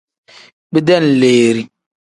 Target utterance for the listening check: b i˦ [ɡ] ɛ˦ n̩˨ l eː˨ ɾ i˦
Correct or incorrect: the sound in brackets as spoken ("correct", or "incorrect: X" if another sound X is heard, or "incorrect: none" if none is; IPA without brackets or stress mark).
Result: incorrect: d